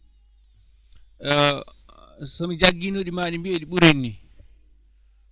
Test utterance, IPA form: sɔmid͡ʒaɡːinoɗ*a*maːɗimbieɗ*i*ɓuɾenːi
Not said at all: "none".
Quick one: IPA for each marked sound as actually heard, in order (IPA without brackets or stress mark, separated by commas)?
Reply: i, i